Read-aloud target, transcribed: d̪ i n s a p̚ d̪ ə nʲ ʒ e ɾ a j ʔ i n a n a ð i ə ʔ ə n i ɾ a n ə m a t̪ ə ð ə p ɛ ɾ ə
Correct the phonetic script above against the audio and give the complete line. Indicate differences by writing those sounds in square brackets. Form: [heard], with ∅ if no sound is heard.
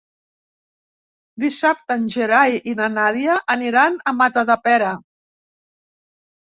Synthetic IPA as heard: d̪ i [∅] s a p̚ [t̪] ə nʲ ʒ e ɾ a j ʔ i n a n a ð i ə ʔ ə n i ɾ a n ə m a t̪ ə ð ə p ɛ ɾ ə